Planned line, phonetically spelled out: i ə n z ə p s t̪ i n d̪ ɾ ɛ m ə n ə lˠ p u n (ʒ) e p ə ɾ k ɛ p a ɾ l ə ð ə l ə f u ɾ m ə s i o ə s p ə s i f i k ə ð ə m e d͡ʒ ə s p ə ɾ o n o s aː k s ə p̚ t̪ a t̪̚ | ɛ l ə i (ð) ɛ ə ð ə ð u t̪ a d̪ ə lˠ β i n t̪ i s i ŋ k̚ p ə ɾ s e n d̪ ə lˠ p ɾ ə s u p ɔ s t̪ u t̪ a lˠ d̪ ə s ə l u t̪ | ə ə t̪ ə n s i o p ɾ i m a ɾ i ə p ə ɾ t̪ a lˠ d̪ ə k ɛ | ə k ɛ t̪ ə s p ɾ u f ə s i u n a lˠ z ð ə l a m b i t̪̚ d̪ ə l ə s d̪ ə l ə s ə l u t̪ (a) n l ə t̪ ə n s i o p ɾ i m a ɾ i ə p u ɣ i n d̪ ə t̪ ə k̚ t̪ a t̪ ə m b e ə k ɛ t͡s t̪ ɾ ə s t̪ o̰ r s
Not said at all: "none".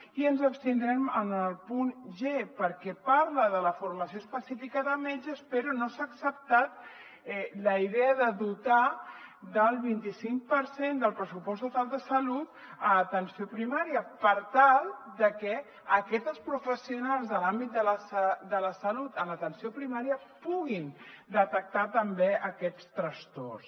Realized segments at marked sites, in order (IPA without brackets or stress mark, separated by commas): ʒ, ð, ə